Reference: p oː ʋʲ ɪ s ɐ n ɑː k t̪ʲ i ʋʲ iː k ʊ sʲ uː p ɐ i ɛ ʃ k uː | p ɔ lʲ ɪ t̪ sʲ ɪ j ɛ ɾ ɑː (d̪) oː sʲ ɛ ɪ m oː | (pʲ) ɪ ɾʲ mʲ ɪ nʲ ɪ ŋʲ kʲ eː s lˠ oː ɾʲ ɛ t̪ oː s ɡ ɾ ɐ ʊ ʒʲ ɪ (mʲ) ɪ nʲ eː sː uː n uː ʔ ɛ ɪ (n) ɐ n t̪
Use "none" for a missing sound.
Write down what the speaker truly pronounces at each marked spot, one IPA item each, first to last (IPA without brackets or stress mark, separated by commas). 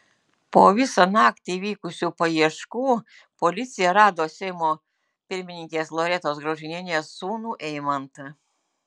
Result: d̪, pʲ, nʲ, m